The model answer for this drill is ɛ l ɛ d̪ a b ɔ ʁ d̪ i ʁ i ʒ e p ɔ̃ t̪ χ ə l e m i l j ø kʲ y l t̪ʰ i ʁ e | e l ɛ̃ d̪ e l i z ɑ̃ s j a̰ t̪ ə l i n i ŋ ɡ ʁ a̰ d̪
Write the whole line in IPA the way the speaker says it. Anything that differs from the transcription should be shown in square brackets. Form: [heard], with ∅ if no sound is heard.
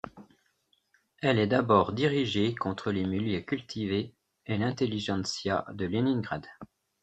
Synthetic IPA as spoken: ɛ l ɛ d̪ a b ɔ ʁ d̪ i ʁ i ʒ e [k] ɔ̃ t̪ χ ə l e m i l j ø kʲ y l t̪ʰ i [v] e | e l ɛ̃ [t̪] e l i [ʒ] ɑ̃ s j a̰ [d̪] ə l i n i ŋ ɡ ʁ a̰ d̪